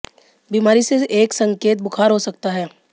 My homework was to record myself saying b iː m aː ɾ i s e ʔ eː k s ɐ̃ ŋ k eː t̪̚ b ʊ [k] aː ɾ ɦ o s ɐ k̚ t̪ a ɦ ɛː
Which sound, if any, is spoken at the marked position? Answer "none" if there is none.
kʰ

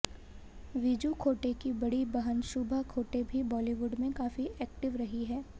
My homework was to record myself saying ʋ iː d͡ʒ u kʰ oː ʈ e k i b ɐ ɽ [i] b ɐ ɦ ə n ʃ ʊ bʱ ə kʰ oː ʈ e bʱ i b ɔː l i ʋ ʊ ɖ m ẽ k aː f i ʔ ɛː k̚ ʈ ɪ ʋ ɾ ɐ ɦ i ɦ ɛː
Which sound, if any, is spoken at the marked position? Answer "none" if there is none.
i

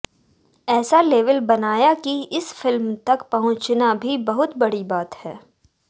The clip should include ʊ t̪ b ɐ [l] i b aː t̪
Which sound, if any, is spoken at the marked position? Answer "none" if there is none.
ɽ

